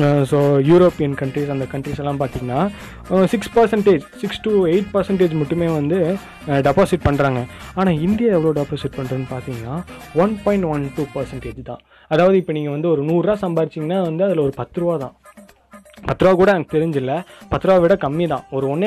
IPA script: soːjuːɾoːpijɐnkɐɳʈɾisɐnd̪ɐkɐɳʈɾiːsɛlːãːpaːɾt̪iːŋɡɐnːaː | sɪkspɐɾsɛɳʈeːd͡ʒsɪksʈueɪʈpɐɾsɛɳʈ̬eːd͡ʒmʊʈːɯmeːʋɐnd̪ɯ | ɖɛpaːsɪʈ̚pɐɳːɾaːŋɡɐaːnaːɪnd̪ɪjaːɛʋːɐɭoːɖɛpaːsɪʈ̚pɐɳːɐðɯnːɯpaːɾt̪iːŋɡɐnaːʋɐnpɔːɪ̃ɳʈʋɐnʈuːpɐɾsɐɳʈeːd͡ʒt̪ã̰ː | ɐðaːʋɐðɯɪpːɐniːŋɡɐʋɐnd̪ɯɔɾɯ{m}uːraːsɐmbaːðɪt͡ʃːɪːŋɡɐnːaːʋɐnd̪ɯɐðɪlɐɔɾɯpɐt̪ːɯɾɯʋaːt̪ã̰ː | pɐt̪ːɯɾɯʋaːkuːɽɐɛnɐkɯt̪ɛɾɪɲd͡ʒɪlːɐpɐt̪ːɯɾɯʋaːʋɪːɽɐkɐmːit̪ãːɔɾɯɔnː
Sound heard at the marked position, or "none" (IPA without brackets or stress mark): n